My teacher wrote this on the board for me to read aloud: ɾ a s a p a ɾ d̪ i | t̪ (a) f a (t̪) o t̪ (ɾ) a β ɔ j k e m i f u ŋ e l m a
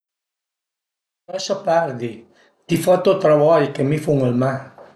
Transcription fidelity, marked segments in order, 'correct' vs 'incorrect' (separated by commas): incorrect, correct, correct